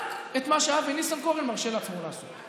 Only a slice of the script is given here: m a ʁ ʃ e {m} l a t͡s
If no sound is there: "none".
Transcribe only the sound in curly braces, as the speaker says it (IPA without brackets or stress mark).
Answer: none